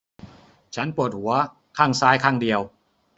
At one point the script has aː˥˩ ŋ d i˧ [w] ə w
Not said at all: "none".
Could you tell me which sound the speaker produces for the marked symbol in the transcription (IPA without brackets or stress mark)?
none